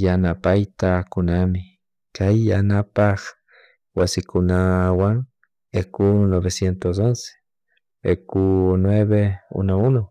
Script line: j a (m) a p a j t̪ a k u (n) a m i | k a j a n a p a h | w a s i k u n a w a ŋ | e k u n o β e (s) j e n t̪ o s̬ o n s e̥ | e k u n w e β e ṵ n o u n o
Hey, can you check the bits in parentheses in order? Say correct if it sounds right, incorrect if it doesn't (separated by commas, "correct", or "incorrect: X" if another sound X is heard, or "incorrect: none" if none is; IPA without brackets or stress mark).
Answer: incorrect: n, correct, correct